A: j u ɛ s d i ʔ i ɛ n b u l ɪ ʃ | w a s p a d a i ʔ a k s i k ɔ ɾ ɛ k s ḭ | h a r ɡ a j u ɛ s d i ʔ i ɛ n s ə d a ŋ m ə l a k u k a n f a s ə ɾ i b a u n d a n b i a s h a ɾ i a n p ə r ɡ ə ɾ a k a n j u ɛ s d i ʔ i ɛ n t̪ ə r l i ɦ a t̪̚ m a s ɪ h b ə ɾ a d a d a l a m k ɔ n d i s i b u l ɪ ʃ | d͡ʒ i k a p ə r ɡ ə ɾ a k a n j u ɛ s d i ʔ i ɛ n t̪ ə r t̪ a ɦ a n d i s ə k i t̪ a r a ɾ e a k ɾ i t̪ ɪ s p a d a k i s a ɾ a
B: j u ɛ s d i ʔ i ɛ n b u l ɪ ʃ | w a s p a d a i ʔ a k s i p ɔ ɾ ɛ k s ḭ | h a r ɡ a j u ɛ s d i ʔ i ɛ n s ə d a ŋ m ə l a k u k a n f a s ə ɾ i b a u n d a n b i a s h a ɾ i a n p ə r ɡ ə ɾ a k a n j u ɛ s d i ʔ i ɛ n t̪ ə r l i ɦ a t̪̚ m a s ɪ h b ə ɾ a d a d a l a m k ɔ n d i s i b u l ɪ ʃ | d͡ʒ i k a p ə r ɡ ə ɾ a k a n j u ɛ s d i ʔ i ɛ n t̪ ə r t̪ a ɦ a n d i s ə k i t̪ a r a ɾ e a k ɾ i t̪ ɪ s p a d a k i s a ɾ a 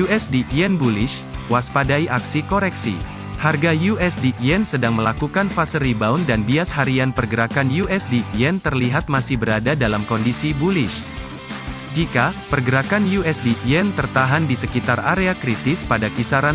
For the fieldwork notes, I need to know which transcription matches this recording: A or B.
A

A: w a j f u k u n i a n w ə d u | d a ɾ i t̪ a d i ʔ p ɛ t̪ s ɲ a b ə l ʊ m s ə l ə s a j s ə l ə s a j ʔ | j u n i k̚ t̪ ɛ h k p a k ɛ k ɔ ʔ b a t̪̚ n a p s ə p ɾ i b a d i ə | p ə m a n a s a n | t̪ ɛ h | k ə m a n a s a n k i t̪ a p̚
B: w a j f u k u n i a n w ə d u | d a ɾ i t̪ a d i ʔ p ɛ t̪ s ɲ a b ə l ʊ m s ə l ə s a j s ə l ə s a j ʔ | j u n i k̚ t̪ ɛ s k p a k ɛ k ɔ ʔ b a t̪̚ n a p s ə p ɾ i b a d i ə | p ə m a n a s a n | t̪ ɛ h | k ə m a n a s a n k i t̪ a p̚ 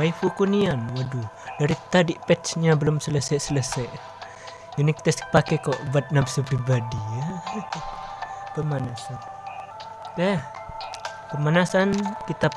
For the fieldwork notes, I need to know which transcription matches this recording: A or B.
B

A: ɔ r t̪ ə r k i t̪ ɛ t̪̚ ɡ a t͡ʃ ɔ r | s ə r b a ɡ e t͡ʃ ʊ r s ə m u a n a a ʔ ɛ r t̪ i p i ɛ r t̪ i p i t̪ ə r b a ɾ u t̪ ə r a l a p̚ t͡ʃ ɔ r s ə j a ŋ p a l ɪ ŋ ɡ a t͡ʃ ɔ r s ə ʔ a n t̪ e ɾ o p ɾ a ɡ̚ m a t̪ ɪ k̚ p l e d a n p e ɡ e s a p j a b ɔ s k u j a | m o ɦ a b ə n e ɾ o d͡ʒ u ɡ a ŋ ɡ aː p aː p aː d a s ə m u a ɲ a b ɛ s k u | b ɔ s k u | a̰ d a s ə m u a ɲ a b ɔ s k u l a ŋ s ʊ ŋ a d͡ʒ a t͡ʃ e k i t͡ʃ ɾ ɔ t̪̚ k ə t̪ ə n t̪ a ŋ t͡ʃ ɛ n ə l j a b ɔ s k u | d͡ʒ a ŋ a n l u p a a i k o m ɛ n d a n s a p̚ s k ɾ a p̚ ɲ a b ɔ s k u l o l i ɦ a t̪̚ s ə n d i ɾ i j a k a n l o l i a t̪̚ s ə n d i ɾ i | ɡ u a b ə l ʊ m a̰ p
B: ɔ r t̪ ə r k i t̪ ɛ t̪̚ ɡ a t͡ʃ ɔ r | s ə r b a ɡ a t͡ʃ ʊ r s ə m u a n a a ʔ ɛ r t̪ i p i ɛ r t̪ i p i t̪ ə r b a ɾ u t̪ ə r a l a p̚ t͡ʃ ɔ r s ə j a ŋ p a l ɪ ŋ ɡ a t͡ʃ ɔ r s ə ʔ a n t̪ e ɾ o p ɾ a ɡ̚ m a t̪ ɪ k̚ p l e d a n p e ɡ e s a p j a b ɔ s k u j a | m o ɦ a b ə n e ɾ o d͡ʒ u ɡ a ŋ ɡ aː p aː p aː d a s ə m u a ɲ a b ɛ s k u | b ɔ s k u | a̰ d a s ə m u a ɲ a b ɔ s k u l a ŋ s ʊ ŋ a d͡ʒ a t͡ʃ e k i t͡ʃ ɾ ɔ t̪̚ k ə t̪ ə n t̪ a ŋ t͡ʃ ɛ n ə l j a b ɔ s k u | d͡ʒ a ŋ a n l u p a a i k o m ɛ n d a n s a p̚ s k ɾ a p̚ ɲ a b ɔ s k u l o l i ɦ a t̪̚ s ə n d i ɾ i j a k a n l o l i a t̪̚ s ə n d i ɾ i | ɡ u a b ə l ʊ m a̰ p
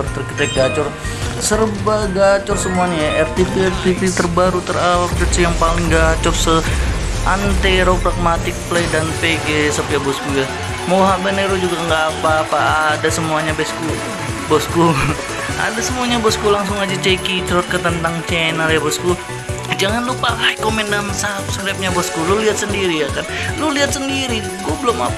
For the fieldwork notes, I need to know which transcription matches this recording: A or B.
B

